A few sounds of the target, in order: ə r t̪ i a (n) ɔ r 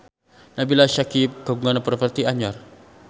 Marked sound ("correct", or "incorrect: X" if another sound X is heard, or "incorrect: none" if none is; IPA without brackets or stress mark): incorrect: ɲ